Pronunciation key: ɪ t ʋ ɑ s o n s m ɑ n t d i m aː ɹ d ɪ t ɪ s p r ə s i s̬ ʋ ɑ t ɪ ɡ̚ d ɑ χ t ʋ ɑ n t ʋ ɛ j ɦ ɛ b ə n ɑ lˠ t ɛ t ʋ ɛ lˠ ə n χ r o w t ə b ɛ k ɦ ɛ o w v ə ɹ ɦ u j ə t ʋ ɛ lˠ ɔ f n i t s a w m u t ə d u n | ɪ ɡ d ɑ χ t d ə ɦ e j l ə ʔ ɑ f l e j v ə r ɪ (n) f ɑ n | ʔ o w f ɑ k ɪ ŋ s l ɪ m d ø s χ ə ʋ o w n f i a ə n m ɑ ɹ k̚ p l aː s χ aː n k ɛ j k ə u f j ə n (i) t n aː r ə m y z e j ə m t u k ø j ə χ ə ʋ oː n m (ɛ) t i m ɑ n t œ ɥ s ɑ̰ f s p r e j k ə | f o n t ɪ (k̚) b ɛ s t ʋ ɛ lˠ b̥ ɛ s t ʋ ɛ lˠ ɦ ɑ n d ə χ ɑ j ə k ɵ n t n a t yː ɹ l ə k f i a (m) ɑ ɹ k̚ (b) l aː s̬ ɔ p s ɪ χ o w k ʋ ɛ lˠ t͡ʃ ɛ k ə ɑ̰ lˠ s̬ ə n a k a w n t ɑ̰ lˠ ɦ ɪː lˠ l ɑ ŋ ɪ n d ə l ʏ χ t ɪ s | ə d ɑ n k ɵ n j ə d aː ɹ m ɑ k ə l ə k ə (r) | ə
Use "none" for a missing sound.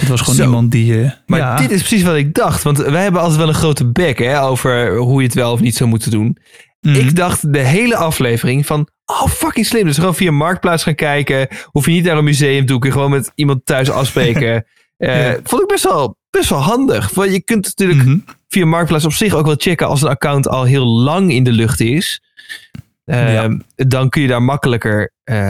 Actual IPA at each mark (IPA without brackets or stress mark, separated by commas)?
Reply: ŋ, i, ɛ, ɡ̚, m, p, ɹ